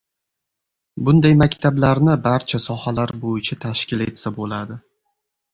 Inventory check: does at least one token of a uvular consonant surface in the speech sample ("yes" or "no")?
no